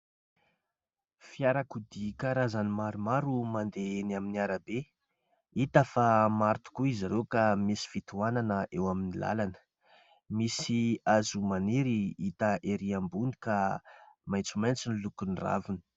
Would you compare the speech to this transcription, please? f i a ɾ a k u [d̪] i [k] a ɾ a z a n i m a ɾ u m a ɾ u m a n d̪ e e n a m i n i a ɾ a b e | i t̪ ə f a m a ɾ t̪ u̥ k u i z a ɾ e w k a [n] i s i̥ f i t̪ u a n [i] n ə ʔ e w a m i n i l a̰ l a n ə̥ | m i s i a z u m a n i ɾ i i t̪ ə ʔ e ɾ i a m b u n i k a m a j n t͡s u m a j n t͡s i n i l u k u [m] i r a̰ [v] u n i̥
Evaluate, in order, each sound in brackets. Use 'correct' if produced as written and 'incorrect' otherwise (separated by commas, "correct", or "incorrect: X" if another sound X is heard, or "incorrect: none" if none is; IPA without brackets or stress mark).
correct, correct, incorrect: m, incorrect: a, incorrect: n, correct